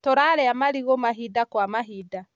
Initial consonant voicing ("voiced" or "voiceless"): voiceless